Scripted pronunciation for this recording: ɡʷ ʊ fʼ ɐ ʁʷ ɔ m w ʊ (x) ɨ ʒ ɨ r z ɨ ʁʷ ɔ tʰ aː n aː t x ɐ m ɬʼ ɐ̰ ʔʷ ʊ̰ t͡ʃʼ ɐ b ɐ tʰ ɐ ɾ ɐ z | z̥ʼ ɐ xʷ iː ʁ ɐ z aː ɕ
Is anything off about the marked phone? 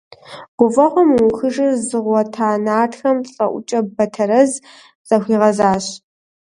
no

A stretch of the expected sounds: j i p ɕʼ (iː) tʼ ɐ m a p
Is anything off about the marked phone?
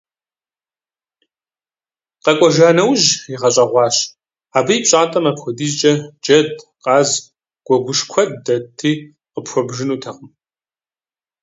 yes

